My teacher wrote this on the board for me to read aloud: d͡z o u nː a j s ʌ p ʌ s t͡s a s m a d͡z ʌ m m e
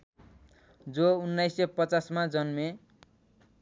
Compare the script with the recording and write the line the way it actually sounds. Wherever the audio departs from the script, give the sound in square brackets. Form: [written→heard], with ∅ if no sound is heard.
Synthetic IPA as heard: d͡z o u nː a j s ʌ p ʌ [s→∅] t͡s a s m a d͡z ʌ [m→n] m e